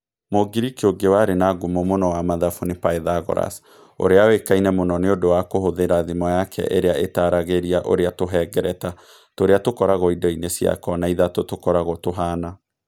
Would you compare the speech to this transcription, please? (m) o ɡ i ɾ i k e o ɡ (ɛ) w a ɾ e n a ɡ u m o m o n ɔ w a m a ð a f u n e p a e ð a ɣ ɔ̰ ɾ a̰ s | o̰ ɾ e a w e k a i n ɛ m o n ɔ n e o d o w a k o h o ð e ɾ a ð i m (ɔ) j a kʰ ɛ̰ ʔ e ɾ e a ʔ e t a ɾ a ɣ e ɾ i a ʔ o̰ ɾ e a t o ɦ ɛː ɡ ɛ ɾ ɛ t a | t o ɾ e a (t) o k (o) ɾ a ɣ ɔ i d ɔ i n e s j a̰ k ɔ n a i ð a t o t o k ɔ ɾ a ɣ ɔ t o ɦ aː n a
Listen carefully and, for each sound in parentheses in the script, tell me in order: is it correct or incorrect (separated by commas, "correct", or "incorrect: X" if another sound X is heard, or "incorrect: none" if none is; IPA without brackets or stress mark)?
correct, incorrect: e, correct, correct, incorrect: ɔ